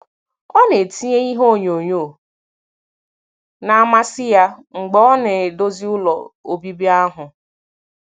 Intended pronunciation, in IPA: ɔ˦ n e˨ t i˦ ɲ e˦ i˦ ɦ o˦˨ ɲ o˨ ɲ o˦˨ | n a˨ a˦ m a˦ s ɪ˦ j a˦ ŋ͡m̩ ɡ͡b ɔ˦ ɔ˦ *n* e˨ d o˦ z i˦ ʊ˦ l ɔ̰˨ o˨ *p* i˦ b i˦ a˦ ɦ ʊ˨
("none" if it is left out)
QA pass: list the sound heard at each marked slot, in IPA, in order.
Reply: n, b

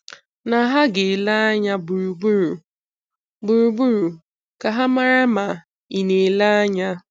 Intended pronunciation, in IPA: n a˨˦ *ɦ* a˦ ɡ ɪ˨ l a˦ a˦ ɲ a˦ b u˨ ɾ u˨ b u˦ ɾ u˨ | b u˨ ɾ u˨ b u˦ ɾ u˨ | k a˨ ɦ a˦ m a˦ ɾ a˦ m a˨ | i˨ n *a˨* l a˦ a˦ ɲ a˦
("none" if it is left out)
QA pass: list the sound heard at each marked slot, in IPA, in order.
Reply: ɦ, e˨

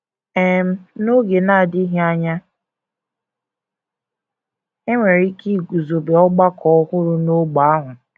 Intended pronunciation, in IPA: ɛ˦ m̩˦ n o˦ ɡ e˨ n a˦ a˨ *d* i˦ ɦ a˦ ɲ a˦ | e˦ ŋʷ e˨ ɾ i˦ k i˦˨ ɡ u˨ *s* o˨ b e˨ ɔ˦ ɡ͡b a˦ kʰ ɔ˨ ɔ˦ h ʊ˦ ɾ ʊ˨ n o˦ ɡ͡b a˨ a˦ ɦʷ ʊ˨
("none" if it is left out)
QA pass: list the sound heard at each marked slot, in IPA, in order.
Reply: d, z

